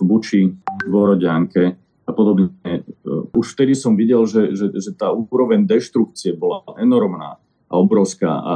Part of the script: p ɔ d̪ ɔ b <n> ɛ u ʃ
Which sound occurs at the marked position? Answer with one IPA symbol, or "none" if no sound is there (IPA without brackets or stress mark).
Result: ɲ